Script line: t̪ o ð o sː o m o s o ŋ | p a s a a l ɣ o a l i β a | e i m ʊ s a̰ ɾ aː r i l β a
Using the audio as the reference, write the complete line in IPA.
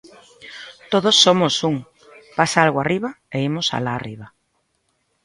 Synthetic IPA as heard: t̪ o ð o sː o m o s u ŋ | p a s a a l ɣ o a r i β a | e i m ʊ s a̰ l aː r i β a